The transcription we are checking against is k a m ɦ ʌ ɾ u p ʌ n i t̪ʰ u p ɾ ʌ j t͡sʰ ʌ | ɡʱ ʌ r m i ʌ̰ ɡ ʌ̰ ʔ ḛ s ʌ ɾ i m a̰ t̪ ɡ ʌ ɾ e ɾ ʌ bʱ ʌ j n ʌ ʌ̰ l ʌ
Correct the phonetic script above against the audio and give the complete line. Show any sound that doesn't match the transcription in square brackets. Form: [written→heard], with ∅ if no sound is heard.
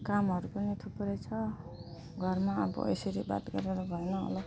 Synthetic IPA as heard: k a m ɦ ʌ ɾ u p ʌ n i t̪ʰ u p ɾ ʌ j t͡sʰ ʌ | ɡʱ ʌ r m [i→a] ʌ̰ [ɡ→b] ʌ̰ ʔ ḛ s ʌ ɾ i [m→b] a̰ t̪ ɡ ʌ ɾ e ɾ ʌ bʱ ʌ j n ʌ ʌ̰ l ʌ